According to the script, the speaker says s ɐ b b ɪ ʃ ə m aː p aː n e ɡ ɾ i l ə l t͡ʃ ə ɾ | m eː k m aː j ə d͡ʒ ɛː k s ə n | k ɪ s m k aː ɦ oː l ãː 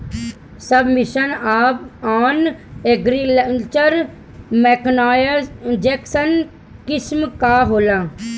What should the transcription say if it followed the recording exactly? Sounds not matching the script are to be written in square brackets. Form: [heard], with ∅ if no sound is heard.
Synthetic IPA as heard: s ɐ b [m] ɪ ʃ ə [n] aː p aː n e ɡ ɾ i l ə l t͡ʃ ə ɾ | m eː k [n] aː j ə d͡ʒ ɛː k s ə n | k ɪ s m k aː ɦ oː l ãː

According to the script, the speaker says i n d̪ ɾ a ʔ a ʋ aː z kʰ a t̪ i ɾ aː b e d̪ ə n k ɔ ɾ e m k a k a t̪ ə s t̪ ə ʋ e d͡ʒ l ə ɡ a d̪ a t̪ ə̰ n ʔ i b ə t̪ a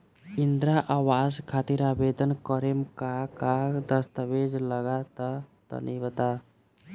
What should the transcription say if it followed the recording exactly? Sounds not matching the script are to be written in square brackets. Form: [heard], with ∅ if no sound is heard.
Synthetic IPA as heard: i n d̪ ɾ a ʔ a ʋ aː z kʰ a t̪ i ɾ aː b e d̪ ə n k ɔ ɾ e m k a k a [d̪] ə s t̪ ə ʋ e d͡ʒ l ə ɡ a [t̪] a t̪ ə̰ n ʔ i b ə t̪ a

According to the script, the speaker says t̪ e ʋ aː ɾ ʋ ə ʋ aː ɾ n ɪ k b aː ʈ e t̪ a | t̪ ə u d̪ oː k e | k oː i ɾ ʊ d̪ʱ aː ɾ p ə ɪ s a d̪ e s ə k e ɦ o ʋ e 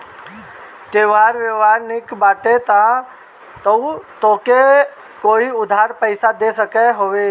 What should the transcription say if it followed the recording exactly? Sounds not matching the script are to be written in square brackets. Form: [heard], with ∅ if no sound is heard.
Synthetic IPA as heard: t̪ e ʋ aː ɾ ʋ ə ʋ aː ɾ n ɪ k b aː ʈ e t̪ a | t̪ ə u [t̪] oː k e | k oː i [∅] ʊ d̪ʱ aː ɾ p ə ɪ s a d̪ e s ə k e ɦ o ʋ e

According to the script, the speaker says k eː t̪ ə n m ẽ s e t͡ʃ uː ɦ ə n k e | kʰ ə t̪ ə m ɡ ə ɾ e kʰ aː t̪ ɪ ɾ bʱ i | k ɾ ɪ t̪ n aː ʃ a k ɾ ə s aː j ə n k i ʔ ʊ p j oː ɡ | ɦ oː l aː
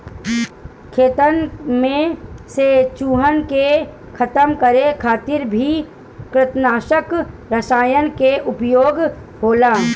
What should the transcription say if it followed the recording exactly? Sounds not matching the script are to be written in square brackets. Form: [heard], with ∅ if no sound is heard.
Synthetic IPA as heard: [kʰ] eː t̪ ə n m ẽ s e t͡ʃ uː ɦ ə n k e | kʰ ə t̪ ə m [k] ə ɾ e kʰ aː t̪ ɪ ɾ bʱ i | k ɾ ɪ t̪ n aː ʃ [ə] k ɾ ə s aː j ə n k [e] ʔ ʊ p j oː ɡ | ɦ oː l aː

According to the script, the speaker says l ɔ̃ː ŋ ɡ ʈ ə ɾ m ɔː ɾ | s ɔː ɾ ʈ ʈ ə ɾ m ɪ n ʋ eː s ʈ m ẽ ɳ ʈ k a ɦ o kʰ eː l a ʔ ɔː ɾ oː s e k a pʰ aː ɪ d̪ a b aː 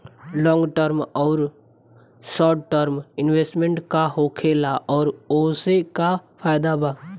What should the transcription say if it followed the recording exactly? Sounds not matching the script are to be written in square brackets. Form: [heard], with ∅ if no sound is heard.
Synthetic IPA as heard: l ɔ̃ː ŋ ɡ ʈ ə ɾ m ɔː ɾ | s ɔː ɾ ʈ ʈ ə ɾ m ɪ n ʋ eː s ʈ m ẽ ɳ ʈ k a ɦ o kʰ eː l a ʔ ɔː ɾ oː s e k a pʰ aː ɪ d̪ a b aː

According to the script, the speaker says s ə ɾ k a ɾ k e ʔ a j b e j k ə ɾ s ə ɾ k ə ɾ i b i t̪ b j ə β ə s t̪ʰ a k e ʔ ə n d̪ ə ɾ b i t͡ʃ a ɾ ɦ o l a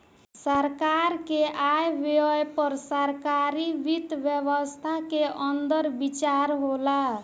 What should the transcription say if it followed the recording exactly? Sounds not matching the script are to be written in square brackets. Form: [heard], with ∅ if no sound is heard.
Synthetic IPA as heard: s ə ɾ k a ɾ k e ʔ a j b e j [p] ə ɾ s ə ɾ k [a] ɾ i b i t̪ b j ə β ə s t̪ʰ a k e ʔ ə n d̪ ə ɾ b i t͡ʃ a ɾ ɦ o l a

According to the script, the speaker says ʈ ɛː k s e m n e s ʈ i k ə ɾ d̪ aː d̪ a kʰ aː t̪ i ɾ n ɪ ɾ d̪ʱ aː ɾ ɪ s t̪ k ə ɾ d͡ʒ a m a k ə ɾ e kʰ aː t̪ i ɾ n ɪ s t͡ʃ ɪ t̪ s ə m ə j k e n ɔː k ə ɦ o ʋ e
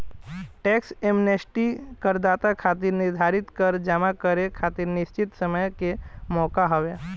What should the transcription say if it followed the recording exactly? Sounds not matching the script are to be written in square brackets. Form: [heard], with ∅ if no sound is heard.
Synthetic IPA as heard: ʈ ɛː k s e m n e s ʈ i k ə ɾ d̪ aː [t̪] a kʰ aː t̪ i ɾ n ɪ ɾ d̪ʱ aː ɾ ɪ [∅] t̪ k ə ɾ d͡ʒ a m a k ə ɾ e kʰ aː t̪ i ɾ n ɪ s t͡ʃ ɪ t̪ s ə m ə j k e [m] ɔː k [a] ɦ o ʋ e

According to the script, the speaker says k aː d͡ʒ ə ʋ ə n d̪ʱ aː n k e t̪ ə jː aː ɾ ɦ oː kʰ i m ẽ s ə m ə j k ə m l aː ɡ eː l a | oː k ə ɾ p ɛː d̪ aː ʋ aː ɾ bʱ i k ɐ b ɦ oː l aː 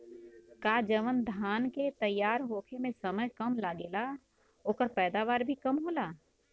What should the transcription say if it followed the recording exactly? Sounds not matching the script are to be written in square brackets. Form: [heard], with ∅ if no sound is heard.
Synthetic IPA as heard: k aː d͡ʒ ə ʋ ə n d̪ʱ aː n k e t̪ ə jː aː ɾ ɦ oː kʰ [e] m ẽ s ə m ə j k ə m l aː ɡ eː l a | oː k ə ɾ p ɛː d̪ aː ʋ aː ɾ bʱ i k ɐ [m] ɦ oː l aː

